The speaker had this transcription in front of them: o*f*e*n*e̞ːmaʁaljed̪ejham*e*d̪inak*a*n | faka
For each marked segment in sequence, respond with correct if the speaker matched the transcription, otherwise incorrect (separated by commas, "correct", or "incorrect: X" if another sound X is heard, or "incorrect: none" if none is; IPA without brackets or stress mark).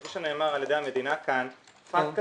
incorrect: ʃ, correct, correct, correct